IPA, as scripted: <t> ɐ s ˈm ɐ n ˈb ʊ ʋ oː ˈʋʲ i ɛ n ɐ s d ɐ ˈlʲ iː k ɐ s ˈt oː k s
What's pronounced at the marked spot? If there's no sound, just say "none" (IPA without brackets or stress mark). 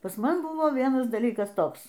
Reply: p